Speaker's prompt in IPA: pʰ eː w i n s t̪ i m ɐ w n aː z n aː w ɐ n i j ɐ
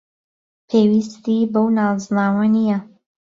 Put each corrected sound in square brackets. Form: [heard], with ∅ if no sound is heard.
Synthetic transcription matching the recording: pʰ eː w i [∅] s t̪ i [b] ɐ w n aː z n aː w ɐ n i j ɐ